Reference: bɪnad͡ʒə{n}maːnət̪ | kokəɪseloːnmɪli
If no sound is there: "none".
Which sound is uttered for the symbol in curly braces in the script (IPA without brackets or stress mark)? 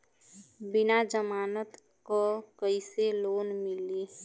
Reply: none